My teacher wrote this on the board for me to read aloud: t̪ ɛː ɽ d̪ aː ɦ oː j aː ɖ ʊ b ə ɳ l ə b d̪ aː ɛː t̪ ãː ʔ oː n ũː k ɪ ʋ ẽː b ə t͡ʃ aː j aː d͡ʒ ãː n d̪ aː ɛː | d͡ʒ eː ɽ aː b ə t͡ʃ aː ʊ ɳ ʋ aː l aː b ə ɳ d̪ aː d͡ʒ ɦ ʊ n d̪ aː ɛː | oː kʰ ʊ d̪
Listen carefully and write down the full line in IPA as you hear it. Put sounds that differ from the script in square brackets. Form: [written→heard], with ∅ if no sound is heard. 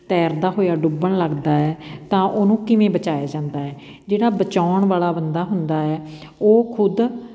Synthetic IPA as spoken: t̪ ɛː [ɽ→ɾ] d̪ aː ɦ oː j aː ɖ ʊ b ə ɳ l ə [b→ɡ] d̪ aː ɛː t̪ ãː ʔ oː n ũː k ɪ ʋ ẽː b ə t͡ʃ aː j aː d͡ʒ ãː n d̪ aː ɛː | d͡ʒ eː ɽ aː b ə t͡ʃ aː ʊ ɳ ʋ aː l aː b ə [ɳ→n] d̪ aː [d͡ʒ→∅] ɦ ʊ n d̪ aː ɛː | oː kʰ ʊ d̪